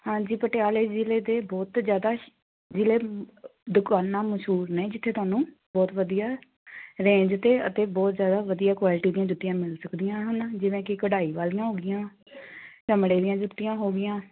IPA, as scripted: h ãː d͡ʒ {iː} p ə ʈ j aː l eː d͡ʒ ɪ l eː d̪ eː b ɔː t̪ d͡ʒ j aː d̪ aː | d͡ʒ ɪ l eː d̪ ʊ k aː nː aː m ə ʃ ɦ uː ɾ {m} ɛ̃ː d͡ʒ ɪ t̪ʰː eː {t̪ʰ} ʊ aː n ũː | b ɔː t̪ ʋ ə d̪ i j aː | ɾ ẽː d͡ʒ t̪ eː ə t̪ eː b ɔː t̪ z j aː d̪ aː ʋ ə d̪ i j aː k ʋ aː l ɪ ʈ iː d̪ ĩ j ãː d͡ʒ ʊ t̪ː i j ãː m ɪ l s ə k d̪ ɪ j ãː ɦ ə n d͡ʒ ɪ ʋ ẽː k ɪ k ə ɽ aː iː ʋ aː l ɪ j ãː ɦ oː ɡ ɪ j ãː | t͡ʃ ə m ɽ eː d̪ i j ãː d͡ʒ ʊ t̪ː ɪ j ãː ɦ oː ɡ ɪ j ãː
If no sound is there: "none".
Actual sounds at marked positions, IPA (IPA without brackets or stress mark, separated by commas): iː, n, t̪